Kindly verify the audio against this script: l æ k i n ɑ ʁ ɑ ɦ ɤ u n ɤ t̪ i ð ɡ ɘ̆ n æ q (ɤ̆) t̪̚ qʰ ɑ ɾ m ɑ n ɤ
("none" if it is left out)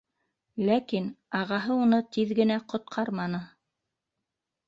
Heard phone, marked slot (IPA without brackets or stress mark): ŏ